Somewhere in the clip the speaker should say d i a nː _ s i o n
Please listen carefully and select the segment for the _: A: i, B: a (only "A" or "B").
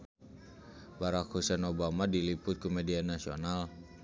B